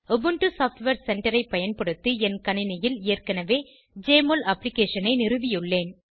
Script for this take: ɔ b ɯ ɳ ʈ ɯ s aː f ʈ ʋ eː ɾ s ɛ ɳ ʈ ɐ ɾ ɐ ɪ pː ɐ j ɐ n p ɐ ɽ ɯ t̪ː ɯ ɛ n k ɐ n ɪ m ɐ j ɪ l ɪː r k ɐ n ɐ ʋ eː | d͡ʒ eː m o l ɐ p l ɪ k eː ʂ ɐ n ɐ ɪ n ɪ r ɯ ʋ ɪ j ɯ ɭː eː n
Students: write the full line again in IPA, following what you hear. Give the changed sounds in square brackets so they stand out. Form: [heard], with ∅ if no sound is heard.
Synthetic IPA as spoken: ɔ b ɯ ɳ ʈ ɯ s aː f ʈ ʋ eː ɾ s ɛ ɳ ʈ ɐ ɾ ɐ ɪ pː ɐ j ɐ n p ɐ ɽ ɯ t̪ː ɯ ɛ n k ɐ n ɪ [n] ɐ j ɪ l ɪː r k ɐ n ɐ ʋ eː | d͡ʒ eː m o l ɐ p l ɪ k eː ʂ ɐ n ɐ ɪ n ɪ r ɯ ʋ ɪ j ɯ ɭː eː n